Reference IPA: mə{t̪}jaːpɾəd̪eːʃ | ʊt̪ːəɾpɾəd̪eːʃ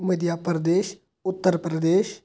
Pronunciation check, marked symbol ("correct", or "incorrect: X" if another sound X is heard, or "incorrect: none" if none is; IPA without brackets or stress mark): incorrect: d̪